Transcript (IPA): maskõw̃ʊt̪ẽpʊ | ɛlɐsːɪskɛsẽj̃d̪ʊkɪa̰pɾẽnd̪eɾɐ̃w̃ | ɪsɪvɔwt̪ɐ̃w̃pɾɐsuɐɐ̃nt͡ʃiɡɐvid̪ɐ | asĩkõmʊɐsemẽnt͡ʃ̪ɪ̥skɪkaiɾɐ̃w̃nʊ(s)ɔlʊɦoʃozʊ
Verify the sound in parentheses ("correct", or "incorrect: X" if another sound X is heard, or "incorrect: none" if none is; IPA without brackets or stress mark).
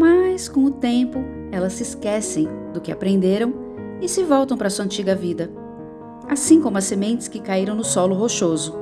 correct